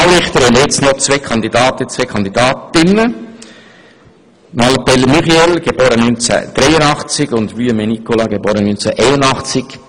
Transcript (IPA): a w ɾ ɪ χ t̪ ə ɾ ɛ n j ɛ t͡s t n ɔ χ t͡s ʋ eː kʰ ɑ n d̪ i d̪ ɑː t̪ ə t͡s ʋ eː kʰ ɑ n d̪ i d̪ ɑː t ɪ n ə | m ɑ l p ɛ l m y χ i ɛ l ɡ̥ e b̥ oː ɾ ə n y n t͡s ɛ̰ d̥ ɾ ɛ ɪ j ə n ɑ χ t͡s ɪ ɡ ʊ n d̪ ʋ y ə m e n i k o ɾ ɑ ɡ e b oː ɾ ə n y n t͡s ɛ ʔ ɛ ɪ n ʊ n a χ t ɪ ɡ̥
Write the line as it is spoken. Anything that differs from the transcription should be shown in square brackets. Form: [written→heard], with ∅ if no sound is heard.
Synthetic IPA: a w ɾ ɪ χ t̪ ə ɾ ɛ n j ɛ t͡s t n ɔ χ t͡s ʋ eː kʰ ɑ n d̪ i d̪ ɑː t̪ ə t͡s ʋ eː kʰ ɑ n d̪ i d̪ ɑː t ɪ n ə | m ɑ l p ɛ l m y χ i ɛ l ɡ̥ e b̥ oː ɾ ə n y n t͡s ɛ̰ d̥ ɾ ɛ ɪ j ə n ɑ χ t͡s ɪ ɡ ʊ n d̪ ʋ y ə m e n i k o [ɾ→l] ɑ ɡ e b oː ɾ ə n y n t͡s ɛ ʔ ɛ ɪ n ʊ n [a→ɑ] χ [t→t͡s] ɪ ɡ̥